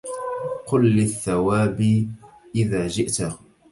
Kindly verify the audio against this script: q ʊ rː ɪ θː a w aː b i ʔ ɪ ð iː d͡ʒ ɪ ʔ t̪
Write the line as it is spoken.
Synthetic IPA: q ʊ lː ɪ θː a w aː b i ʔ ɪ ð aː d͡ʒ ɪ ʔ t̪